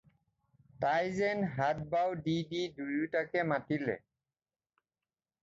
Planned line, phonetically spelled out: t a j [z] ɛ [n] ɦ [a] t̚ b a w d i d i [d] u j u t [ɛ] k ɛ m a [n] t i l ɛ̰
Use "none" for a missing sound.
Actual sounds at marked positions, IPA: z, n, a, d, a, none

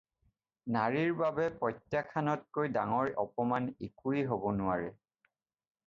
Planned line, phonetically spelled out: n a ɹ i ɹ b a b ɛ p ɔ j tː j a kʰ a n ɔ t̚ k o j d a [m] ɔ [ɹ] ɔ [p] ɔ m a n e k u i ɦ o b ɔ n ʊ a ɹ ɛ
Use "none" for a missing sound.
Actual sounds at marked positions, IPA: ŋ, ɹ, p

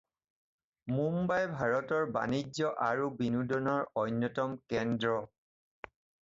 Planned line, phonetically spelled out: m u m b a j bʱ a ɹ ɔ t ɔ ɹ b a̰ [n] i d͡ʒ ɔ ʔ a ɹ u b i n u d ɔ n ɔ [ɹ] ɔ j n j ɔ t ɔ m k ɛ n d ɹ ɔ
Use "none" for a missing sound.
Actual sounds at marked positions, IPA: n, ɹ

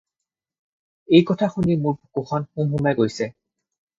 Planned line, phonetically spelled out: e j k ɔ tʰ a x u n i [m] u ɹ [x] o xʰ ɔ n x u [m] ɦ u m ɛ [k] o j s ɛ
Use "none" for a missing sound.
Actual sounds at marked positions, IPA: m, k, m, ɡ

